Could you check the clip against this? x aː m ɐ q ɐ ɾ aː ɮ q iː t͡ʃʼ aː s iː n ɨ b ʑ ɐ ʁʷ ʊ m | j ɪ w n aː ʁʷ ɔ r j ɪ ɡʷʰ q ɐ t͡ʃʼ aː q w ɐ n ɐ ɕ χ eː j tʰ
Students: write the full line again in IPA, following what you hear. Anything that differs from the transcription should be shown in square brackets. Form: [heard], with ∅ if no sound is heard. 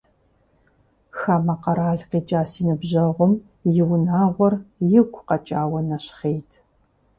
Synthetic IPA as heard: x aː m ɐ q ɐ ɾ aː ɮ q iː t͡ʃʼ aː s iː n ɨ b ʑ ɐ ʁʷ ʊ m | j ɪ w n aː ʁʷ ɔ r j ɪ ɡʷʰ q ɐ t͡ʃʼ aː [∅] w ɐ n ɐ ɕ χ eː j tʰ